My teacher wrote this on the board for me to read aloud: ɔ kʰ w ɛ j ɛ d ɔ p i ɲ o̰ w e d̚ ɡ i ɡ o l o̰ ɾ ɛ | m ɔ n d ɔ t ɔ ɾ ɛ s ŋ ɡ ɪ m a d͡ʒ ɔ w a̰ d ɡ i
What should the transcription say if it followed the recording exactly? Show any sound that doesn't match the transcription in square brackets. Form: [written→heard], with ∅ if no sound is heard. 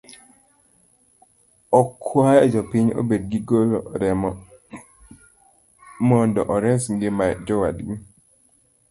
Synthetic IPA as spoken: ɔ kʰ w [ɛ→a] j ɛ [d→d͡ʒ] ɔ p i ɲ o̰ [w→b] e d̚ ɡ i ɡ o l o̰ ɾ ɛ | m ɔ n d ɔ [t→ʔ] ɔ ɾ ɛ s ŋ ɡ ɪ m a d͡ʒ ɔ w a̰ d ɡ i